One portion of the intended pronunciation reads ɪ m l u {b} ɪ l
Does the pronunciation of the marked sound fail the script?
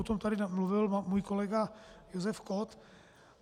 yes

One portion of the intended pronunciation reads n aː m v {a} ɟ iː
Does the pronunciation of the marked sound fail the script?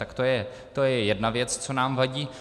no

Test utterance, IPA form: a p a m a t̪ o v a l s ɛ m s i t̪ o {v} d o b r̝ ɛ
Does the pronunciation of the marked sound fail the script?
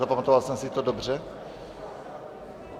yes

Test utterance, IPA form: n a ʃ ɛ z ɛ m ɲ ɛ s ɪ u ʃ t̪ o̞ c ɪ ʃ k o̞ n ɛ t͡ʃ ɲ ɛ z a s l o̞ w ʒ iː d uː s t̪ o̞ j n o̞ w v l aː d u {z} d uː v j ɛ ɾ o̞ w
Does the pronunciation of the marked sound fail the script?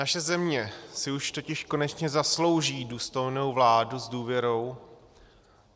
no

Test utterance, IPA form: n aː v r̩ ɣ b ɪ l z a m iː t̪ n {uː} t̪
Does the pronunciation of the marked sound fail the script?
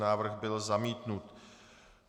yes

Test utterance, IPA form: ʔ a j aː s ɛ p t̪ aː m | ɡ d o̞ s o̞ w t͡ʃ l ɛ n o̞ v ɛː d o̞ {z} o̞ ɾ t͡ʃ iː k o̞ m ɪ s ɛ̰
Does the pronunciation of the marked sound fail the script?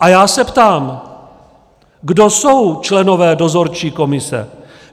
no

